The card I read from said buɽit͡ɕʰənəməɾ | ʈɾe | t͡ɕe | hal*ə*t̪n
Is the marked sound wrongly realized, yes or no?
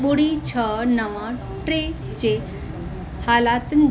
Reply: yes